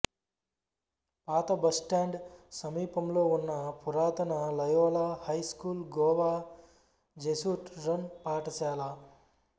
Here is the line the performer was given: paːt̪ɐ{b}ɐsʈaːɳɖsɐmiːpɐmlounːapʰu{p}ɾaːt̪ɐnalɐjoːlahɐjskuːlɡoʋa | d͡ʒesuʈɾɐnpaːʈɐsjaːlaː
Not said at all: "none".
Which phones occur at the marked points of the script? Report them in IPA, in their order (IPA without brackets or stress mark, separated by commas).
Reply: b, none